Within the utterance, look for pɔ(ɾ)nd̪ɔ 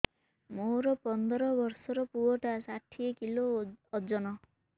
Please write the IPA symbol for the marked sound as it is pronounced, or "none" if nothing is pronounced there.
none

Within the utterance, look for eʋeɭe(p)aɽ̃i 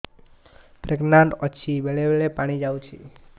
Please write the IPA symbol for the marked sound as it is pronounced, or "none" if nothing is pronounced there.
p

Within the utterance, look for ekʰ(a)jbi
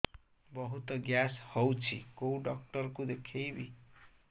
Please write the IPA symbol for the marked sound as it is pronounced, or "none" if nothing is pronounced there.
e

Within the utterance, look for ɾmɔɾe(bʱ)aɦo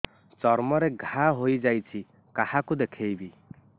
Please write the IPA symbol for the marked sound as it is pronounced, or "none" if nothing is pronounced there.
ɡʱ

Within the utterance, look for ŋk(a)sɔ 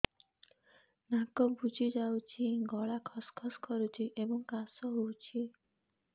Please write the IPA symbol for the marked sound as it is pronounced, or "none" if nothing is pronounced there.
a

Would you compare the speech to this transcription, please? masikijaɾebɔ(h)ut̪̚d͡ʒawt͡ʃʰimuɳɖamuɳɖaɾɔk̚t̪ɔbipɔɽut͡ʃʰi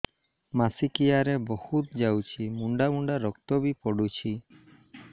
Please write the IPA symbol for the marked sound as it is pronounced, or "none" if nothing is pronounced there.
h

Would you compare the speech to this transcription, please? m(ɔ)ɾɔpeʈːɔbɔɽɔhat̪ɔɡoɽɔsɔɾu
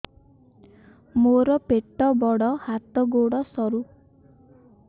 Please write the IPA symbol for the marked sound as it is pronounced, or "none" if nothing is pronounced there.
o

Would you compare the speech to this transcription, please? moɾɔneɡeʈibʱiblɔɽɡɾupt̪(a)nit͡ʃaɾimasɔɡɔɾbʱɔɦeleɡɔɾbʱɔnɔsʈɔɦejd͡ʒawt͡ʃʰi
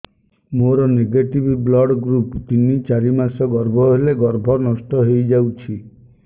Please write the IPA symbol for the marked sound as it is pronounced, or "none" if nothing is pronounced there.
i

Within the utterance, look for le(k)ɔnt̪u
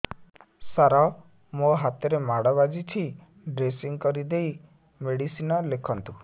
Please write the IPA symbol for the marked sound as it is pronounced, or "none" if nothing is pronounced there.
kʰ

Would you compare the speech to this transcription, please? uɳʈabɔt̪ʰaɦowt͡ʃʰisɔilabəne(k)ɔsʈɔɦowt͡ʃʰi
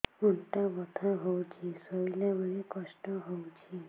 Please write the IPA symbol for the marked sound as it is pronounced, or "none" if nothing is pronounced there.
k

